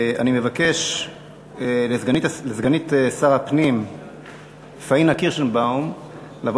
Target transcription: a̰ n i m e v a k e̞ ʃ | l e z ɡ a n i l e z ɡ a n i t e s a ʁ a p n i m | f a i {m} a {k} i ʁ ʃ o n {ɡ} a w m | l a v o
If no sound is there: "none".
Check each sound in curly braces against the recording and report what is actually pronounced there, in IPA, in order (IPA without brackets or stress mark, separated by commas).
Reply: n, k, b